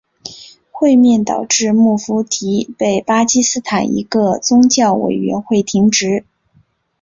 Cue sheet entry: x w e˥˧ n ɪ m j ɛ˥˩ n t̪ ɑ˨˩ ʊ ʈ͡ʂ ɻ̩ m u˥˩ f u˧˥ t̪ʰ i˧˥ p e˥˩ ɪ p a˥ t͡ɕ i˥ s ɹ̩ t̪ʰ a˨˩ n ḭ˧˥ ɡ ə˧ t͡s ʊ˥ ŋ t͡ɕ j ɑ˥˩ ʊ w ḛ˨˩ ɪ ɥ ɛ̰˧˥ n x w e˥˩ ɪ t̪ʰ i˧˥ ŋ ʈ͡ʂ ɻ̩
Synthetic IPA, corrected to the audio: x w e˥˧ ɪ m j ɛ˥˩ n t̪ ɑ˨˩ ʊ ʈ͡ʂ ɻ̩ m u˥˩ f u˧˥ t̪ʰ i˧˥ p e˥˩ ɪ p a˥ t͡ɕ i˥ s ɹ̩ t̪ʰ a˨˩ n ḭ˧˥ ɡ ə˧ t͡s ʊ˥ ŋ t͡ɕ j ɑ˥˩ ʊ w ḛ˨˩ ɪ ɥ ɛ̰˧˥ n x w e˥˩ ɪ t̪ʰ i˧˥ ŋ ʈ͡ʂ ɻ̩